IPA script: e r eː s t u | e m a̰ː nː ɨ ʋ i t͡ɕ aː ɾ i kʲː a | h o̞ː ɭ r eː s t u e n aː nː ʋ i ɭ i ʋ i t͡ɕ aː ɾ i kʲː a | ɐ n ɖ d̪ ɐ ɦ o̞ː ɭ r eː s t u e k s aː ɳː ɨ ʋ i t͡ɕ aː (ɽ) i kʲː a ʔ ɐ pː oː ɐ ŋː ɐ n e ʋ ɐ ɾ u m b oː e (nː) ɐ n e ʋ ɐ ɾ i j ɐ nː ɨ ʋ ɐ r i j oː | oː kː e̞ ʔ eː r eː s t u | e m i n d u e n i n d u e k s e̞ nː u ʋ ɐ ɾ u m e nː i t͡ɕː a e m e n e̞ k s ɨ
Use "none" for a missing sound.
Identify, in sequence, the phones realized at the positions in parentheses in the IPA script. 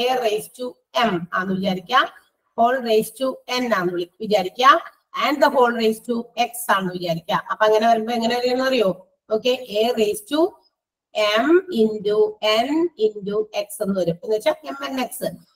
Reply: ɾ, ŋː

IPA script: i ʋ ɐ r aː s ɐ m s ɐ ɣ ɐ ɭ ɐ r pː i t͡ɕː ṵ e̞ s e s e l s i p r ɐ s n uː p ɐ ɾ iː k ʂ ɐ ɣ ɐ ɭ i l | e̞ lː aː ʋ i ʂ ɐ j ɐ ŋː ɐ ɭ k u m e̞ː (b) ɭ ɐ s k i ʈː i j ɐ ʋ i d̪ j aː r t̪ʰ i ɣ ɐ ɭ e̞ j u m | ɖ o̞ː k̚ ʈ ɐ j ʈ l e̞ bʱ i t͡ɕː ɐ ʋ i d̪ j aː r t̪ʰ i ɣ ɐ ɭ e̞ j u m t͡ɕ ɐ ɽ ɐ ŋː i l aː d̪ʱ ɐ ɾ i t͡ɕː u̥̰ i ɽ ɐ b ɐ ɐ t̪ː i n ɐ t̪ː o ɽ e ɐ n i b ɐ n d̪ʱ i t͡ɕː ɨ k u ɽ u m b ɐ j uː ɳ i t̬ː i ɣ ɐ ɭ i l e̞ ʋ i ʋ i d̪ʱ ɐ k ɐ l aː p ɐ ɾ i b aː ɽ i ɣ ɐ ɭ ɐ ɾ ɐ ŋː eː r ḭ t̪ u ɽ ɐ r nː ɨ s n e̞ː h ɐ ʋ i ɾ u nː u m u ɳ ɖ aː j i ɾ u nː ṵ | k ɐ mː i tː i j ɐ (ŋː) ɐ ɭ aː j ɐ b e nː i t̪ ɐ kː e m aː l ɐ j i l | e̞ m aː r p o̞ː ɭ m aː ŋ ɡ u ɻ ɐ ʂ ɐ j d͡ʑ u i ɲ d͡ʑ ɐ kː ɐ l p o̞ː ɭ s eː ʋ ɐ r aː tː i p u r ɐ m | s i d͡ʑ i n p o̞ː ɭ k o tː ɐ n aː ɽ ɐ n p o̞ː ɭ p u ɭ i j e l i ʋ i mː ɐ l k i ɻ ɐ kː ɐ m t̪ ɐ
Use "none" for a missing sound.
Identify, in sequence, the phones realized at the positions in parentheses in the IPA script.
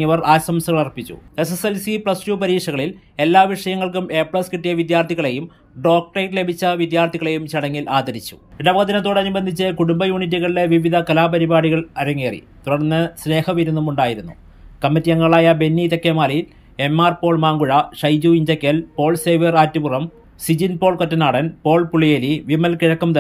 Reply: p, ŋː

